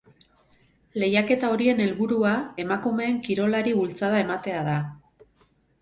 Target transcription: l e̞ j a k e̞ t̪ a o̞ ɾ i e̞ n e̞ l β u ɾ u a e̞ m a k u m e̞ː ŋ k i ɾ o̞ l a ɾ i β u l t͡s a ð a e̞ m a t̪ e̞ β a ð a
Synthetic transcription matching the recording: l e̞ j a k e̞ t̪ a o̞ ɾ i e̞ n e̞ l β u ɾ u a e̞ m a k u m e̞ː ŋ k i ɾ o̞ l a ɾ i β u l t͡s a ð a e̞ m a t̪ e̞ a ð a